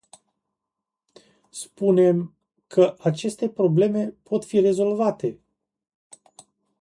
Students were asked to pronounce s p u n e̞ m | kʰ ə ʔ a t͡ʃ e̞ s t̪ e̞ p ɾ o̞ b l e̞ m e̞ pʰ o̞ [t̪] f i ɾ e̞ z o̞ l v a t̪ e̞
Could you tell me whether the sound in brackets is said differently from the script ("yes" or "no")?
no